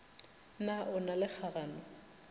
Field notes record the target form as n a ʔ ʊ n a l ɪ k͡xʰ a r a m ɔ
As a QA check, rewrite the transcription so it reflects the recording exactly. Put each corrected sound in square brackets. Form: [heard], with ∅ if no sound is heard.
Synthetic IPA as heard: n a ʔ ʊ n a l ɪ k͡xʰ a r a [n] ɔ